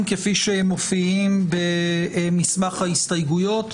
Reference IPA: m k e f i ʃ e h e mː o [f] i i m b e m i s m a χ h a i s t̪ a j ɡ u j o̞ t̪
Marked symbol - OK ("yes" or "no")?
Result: yes